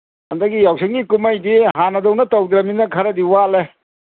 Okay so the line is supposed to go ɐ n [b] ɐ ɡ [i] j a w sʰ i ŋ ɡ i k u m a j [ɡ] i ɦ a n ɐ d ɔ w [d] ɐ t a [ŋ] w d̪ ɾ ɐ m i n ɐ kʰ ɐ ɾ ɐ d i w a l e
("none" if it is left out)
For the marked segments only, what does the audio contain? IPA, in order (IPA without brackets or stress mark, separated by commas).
d, i, d, n, none